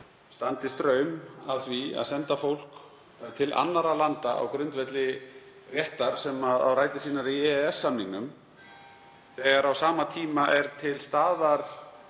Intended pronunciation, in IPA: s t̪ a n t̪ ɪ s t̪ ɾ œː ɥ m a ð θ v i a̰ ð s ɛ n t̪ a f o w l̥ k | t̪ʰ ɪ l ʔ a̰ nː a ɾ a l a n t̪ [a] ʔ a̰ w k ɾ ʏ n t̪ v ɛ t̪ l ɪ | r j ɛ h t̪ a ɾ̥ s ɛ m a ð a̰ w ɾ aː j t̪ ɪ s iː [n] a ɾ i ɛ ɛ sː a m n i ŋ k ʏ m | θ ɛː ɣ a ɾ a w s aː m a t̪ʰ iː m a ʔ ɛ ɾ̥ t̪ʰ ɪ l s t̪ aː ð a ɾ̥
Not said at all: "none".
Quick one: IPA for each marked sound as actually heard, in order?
a, n

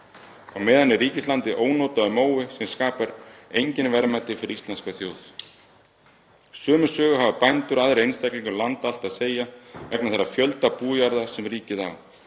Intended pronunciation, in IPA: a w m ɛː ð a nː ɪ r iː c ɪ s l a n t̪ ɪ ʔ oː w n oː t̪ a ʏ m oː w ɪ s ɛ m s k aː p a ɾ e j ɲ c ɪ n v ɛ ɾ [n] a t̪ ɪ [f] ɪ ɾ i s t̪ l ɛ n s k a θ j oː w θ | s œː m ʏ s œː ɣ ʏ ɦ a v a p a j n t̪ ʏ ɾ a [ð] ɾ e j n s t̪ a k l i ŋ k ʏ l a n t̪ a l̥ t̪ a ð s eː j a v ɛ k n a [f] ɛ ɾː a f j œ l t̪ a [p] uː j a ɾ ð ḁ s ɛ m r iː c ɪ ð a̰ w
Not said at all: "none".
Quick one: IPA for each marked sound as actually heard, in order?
m, f, ð, θ, p

